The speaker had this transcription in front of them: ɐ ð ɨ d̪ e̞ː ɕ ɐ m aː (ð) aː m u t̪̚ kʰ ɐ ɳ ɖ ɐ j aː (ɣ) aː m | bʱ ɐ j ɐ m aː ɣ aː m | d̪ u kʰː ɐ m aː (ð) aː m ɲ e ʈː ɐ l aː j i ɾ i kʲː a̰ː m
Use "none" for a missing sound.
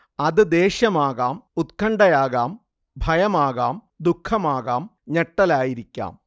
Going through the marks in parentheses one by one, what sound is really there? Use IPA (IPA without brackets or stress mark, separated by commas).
ɣ, ɣ, ɣ